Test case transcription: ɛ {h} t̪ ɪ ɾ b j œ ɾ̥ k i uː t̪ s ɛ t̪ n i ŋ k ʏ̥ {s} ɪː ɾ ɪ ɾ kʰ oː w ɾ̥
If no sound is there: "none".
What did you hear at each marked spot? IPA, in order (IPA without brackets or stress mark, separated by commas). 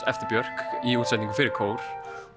f, f